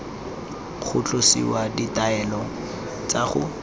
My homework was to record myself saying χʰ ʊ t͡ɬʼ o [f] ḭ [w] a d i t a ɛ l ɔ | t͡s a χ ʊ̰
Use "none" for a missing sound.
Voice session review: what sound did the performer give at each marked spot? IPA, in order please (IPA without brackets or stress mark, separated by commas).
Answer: s, w